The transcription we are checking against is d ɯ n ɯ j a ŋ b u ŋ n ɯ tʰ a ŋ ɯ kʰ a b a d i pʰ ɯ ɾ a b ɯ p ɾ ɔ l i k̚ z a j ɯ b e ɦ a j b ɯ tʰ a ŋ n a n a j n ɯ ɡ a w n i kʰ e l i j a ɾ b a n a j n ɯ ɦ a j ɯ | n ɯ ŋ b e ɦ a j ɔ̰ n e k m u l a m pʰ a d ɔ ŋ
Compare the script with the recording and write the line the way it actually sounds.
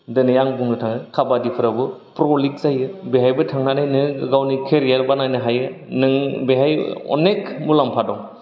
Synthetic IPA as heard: d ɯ n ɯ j a ŋ b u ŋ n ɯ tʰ a ŋ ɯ kʰ a b a d i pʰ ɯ ɾ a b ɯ p ɾ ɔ l i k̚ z a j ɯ b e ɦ a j b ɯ tʰ a ŋ n a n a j n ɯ ɡ a w n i kʰ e ɾ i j a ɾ b a n a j n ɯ ɦ a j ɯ | n ɯ ŋ b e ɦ a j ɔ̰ n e k m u l a m pʰ a d ɔ ŋ